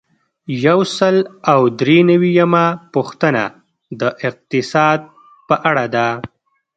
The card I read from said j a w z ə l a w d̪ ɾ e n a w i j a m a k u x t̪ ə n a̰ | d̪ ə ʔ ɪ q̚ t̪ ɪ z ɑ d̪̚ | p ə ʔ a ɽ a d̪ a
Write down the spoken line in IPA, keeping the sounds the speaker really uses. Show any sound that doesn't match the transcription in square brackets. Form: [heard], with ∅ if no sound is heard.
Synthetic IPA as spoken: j a w [s] ə l a w d̪ ɾ e n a w i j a m a [p] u x t̪ ə n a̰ | d̪ ə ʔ ɪ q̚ t̪ ɪ [s] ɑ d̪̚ | p ə ʔ a ɽ a d̪ a